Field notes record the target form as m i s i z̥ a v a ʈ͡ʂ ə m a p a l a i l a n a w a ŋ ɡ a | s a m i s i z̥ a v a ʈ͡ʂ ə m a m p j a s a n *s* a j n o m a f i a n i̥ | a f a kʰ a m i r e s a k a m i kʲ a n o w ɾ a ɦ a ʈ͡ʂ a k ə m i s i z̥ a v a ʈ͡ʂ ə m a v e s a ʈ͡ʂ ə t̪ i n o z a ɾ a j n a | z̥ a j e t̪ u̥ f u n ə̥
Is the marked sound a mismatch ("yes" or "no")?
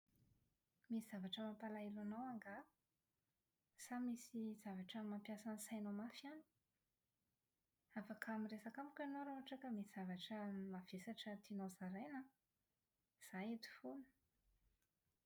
no